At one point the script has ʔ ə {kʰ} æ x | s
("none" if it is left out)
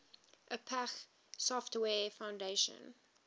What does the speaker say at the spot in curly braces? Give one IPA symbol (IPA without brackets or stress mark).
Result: pʰ